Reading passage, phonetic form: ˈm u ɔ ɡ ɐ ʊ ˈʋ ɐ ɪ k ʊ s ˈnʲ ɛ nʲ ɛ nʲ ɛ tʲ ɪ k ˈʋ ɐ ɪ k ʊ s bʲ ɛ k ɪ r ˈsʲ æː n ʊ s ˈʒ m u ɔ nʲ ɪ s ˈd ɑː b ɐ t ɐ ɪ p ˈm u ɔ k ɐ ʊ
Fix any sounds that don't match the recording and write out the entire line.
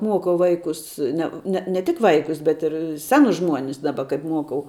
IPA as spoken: ˈm u ɔ k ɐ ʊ ˈʋ ɐ ɪ k ʊ s ˈnʲ ɛ nʲ ɛ nʲ ɛ tʲ ɪ k ˈʋ ɐ ɪ k ʊ s bʲ ɛ t ɪ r ˈsʲ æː n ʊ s ˈʒ m u ɔ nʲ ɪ s ˈd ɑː b ɐ k ɐ ɪ p ˈm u ɔ k ɐ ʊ